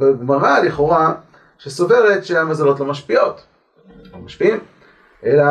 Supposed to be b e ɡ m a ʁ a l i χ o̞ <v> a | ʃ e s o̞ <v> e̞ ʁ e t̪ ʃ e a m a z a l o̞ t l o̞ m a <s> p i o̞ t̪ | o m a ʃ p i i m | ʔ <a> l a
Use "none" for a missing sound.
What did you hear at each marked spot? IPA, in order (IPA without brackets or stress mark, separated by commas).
ʁ, v, ʃ, e